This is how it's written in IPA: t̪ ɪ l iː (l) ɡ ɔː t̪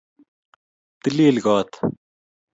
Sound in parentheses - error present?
no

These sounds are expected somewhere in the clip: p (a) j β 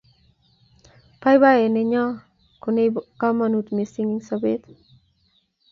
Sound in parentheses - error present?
no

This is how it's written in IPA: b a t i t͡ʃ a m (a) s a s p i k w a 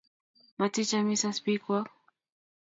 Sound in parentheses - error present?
yes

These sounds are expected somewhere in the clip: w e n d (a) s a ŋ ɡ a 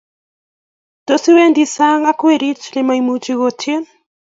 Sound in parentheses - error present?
yes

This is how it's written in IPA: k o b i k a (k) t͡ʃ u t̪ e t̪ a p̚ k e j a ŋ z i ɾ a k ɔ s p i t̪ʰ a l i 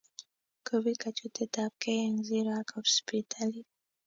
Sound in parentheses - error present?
yes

